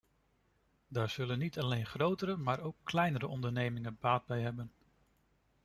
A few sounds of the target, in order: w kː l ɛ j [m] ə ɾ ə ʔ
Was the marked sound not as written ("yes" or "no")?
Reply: yes